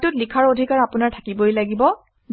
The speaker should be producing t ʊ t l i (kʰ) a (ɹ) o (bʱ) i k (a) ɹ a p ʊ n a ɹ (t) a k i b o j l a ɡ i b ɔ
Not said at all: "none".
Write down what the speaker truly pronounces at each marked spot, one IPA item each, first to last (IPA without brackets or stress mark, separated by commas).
kʰ, ɹ, dʱ, a, tʰ